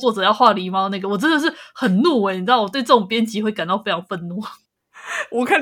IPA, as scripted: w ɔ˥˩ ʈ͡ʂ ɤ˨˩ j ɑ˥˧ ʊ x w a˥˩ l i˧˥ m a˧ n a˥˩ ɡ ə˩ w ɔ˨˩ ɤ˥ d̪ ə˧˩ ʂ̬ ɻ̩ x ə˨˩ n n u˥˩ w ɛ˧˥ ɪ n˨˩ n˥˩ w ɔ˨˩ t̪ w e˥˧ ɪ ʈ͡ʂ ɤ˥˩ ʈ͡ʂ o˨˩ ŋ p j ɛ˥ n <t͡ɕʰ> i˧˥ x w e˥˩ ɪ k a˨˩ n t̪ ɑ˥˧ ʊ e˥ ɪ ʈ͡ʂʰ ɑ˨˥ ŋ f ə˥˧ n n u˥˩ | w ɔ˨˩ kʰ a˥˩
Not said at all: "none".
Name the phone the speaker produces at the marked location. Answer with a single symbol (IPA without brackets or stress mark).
t͡ɕ